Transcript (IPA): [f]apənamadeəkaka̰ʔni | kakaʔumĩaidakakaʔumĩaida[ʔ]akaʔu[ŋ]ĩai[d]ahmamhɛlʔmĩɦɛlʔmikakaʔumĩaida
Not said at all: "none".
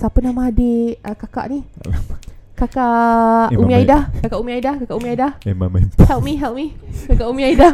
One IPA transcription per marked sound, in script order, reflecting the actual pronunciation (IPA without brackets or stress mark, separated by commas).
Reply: s, k, m, d